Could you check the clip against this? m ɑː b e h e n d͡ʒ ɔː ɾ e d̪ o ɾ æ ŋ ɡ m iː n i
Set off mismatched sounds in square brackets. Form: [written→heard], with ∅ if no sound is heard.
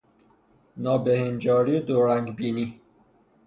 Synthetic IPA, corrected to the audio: [m→n] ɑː b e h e n d͡ʒ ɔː ɾ [e→i] d̪ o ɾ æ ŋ ɡ [m→b] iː n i